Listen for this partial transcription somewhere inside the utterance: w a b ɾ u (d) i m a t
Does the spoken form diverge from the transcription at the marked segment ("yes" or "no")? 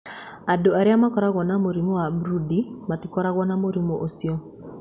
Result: no